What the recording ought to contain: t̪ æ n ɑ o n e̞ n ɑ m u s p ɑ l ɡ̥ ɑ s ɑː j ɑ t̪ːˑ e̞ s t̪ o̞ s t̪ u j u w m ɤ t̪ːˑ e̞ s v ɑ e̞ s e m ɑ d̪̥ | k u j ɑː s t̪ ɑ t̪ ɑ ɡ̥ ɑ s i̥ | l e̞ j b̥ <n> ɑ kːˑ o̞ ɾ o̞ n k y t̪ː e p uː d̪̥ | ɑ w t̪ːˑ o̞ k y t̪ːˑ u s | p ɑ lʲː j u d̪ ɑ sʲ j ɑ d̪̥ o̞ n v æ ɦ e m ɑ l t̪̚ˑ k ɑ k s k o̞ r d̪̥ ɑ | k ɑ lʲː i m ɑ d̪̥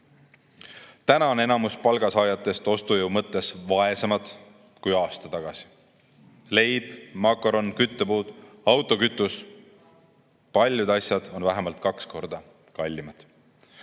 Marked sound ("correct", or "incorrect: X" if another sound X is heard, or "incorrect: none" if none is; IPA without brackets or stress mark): incorrect: m